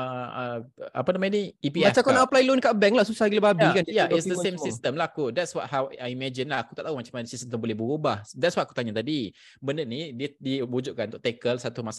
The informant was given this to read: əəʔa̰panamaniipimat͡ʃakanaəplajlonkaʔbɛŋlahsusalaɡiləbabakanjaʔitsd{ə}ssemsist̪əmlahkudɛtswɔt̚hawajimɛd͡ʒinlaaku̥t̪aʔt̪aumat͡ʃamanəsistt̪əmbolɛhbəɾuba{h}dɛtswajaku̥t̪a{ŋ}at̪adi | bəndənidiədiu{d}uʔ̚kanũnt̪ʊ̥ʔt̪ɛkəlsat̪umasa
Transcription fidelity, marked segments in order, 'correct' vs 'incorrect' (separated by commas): correct, correct, incorrect, incorrect